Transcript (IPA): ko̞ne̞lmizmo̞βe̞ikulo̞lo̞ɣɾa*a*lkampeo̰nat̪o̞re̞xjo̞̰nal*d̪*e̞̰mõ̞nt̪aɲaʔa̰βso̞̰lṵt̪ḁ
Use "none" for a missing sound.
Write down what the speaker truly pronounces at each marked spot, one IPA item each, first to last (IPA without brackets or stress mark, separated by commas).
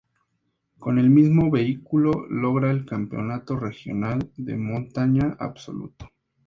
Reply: e, d̪